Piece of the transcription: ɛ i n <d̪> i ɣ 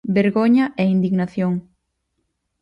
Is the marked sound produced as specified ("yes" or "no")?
yes